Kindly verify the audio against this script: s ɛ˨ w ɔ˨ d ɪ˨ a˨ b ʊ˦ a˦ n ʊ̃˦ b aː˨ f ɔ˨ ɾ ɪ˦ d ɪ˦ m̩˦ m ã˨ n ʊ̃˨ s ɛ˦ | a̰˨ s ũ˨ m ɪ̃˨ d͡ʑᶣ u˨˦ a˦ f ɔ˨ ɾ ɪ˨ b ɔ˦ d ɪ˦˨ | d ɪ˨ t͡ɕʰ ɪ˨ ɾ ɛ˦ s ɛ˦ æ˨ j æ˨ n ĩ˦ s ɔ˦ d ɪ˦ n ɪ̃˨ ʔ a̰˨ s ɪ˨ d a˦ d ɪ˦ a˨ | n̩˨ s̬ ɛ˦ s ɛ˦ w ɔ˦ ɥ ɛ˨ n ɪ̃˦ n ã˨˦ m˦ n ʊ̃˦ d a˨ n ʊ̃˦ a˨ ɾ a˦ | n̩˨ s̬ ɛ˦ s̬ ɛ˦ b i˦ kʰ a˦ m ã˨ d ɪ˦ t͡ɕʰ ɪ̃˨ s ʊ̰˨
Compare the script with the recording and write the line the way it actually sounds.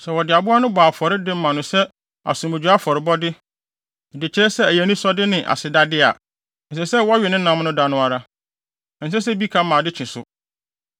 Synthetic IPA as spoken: s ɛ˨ w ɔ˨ d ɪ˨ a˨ b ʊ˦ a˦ n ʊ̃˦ b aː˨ f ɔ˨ ɾ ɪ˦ d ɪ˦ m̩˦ m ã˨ n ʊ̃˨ s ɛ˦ | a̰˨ s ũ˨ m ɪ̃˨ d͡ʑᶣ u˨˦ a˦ f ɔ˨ ɾ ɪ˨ b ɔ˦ d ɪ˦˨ | d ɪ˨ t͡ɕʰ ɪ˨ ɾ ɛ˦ s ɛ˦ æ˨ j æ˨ n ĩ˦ s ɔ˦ d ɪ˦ n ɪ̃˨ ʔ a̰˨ s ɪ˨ d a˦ d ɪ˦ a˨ | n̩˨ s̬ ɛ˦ s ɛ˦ w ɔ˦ ɥ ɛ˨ n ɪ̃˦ n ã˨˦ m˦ n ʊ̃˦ d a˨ n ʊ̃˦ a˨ ɾ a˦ | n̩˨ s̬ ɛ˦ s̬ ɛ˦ b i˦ kʰ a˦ m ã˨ d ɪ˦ t͡ɕʰ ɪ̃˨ s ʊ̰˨